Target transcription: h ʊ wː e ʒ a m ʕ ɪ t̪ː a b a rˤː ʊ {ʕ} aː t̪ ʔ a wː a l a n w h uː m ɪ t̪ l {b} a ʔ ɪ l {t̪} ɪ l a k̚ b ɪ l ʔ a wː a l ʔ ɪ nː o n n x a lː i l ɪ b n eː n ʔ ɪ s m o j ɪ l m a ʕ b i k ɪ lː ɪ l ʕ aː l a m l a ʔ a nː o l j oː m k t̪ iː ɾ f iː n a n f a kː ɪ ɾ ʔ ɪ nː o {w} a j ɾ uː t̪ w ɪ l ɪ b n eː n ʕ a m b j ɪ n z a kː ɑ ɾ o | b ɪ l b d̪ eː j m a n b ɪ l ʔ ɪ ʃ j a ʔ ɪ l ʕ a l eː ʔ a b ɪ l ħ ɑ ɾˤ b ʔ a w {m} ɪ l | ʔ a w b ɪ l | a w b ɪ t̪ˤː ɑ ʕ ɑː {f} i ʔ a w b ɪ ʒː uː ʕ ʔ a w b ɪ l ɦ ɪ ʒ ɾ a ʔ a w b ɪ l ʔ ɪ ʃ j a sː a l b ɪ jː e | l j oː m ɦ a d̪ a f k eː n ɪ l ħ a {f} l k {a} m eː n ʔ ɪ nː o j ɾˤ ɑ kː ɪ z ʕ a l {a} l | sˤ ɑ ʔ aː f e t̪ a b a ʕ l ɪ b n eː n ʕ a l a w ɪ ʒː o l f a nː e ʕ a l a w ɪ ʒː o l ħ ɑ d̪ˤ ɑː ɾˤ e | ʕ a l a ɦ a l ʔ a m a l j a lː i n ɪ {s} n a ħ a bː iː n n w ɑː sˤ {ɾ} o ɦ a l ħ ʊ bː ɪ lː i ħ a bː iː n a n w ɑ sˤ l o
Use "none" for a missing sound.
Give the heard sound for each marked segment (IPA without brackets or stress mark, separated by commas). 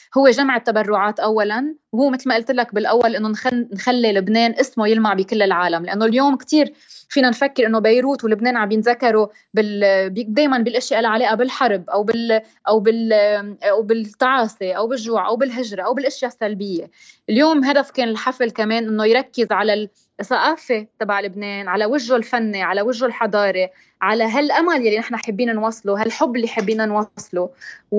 ʕ, m, t̪, b, b, s, f, a, a, ħ, l